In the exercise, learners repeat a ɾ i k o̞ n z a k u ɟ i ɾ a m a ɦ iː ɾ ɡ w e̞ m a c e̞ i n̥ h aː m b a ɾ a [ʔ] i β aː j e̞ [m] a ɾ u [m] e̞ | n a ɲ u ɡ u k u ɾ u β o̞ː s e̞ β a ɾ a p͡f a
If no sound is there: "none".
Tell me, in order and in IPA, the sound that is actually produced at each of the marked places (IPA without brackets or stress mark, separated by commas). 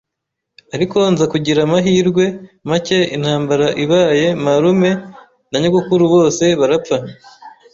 ʔ, m, m